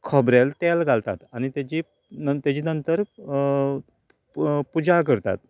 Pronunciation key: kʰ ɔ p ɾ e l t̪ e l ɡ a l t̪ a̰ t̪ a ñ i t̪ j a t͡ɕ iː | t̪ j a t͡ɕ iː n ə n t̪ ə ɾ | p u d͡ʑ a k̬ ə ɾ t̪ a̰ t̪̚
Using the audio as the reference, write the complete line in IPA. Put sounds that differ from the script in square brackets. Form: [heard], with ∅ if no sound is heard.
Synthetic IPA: kʰ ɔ [b] ɾ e l t̪ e l ɡ a l t̪ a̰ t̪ a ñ i t̪ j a t͡ɕ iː | t̪ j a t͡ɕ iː n ə n t̪ ə ɾ | p u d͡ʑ a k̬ ə ɾ t̪ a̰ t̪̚